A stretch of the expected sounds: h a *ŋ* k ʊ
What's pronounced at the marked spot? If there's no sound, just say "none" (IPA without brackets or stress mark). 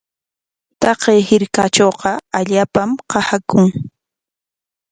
none